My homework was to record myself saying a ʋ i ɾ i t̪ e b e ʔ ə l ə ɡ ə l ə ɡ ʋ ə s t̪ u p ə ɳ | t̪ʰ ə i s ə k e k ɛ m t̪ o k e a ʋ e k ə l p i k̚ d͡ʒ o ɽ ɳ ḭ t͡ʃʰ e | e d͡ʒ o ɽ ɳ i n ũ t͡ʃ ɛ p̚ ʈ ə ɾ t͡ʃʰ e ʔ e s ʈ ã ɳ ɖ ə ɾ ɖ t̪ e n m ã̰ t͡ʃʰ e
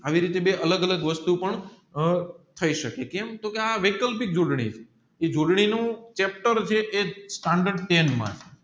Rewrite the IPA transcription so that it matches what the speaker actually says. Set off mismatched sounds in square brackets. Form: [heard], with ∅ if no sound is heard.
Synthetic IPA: a ʋ i ɾ i t̪ e b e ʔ ə l ə ɡ ə l ə ɡ ʋ ə s t̪ u p ə ɳ | t̪ʰ ə i [ʃ] ə k e k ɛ m t̪ o k e a ʋ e k ə l p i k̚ d͡ʒ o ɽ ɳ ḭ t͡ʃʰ e | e d͡ʒ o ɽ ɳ i n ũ t͡ʃ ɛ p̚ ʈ ə ɾ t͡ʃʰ e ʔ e s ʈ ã ɳ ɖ ə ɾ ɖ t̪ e n m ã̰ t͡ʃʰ e